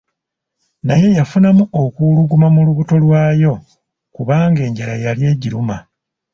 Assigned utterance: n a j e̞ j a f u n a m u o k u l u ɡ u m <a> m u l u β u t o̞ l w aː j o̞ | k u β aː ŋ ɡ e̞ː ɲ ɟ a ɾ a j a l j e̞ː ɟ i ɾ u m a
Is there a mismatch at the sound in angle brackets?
no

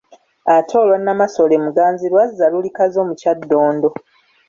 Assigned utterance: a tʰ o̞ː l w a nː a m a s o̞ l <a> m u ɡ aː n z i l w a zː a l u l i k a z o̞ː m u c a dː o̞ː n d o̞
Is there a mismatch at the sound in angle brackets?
yes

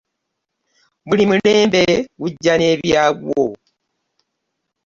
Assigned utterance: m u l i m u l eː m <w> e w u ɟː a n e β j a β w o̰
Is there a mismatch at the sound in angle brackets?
yes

